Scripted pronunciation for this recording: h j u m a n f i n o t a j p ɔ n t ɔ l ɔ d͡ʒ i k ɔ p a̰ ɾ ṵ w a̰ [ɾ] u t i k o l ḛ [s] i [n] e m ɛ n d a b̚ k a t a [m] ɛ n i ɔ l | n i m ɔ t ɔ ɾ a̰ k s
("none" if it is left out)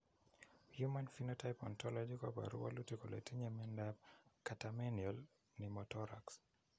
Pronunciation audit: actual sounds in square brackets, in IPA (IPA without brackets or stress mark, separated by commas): l, t, ɲ, m